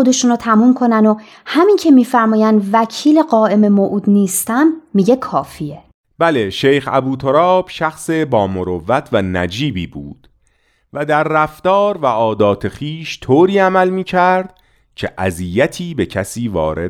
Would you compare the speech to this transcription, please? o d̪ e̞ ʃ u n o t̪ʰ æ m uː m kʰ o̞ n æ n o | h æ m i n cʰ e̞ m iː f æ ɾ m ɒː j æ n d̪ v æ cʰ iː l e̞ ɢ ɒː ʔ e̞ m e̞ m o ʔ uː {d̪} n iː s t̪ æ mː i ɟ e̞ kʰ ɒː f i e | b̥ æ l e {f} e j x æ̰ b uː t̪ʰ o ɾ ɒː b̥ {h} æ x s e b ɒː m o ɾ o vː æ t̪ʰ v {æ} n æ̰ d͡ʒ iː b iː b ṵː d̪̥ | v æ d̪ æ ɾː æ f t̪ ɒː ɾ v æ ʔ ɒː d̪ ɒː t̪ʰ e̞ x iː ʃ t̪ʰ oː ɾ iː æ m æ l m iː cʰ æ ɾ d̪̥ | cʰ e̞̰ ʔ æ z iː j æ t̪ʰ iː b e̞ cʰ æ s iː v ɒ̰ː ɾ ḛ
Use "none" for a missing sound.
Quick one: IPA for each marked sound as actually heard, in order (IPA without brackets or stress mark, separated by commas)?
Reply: d̪, ʃ, ʃ, æ